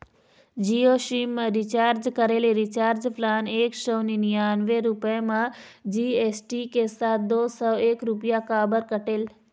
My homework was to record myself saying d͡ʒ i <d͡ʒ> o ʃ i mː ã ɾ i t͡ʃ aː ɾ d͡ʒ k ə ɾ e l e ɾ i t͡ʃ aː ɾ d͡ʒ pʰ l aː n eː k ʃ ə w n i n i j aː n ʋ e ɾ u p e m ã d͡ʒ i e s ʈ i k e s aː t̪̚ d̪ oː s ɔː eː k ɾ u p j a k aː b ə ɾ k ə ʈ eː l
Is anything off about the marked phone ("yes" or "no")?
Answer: yes